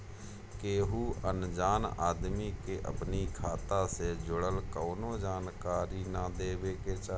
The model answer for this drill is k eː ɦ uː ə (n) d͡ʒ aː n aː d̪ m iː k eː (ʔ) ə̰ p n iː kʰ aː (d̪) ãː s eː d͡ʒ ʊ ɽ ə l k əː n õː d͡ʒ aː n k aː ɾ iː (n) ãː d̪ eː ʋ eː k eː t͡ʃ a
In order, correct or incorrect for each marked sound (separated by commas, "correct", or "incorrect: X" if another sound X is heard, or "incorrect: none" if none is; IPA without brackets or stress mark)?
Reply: correct, correct, incorrect: t̪, correct